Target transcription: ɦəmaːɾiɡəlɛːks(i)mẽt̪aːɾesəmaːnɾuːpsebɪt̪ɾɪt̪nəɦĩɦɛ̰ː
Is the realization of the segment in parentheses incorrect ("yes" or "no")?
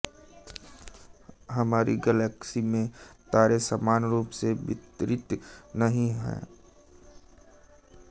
no